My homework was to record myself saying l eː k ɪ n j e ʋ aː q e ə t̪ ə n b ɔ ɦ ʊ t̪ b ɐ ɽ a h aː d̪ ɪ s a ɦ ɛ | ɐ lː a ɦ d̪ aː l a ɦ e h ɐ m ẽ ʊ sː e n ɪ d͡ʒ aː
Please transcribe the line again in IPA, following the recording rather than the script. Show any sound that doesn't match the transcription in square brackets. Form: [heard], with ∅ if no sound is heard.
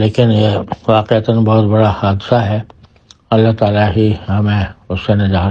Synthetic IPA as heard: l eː k ɪ n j e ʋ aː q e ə t̪ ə n b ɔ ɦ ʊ t̪ b ɐ ɽ a h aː d̪ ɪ s a ɦ ɛ | ɐ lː a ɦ [t̪] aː l a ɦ [i] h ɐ m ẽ ʊ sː e n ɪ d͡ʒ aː